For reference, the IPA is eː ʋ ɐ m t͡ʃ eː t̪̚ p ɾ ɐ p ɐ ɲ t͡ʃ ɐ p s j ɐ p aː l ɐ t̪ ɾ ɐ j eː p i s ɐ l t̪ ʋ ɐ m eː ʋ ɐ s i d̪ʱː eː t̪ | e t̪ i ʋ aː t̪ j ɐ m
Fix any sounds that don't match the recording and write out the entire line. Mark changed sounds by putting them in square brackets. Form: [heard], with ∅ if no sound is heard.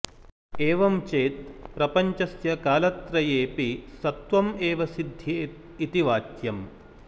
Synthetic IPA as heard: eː ʋ ɐ m t͡ʃ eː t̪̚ p ɾ ɐ p ɐ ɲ t͡ʃ ɐ [∅] s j ɐ [k] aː l ɐ t̪ ɾ ɐ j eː p i s ɐ [∅] t̪ ʋ ɐ m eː ʋ ɐ s i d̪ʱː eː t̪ | [i] t̪ i ʋ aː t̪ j ɐ m